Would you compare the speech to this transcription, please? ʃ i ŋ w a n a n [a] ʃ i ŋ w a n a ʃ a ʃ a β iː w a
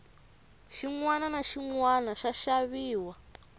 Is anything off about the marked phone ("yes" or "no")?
no